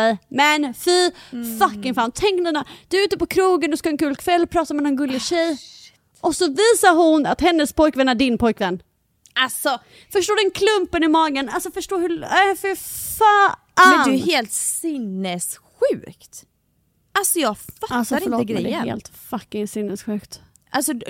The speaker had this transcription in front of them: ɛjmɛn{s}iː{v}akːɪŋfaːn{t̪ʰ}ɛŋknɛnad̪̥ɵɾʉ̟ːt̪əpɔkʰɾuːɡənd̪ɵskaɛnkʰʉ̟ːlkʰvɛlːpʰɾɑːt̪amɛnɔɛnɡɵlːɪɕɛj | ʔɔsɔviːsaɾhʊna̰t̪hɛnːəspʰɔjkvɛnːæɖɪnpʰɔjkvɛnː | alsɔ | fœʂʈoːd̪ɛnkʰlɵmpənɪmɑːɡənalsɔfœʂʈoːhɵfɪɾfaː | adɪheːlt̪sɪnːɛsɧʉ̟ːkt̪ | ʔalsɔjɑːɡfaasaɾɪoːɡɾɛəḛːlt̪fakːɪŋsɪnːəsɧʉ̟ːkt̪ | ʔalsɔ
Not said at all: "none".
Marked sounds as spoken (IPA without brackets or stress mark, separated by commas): f, f, t̪ʰ